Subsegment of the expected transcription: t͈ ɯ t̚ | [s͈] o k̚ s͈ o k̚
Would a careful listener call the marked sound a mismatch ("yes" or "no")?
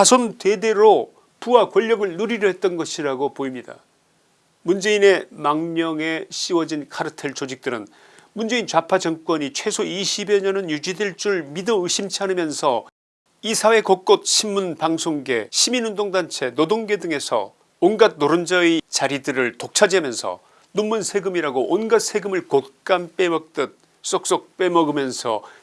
no